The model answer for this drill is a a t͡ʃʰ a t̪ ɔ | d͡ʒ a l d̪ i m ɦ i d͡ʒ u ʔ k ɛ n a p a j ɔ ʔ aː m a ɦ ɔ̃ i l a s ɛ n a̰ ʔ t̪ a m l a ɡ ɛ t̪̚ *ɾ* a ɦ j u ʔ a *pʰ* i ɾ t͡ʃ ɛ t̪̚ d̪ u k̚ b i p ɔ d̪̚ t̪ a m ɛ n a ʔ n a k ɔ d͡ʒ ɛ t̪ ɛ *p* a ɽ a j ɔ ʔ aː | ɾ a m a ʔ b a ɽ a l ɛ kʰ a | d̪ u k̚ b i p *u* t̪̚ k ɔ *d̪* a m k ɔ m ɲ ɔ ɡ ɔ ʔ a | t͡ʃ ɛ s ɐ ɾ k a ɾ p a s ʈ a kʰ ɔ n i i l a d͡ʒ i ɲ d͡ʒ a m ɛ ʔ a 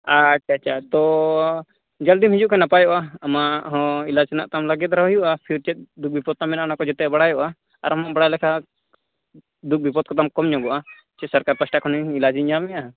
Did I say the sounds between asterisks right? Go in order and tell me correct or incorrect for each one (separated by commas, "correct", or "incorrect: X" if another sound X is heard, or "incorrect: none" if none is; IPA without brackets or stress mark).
correct, correct, incorrect: b, incorrect: ɔ, incorrect: t̪